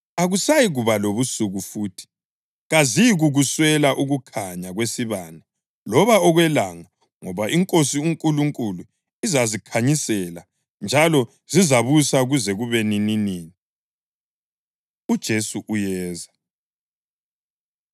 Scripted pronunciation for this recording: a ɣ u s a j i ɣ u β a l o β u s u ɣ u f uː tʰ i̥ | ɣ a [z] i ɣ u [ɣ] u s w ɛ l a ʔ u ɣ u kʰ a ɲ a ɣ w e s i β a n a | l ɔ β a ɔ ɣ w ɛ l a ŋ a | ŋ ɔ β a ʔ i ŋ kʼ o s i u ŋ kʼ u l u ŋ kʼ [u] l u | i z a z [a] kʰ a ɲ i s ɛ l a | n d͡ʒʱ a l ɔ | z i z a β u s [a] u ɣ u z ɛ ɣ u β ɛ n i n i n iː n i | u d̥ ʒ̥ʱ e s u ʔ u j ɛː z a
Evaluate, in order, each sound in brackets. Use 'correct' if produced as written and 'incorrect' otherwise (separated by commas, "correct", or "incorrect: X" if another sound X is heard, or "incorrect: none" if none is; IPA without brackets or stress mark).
correct, correct, correct, incorrect: i, correct